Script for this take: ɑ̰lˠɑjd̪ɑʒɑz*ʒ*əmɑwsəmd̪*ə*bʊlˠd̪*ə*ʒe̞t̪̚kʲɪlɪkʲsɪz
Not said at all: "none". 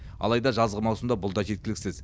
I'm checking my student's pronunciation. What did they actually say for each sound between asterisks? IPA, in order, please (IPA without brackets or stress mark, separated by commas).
ʁ, ɑ, ɑ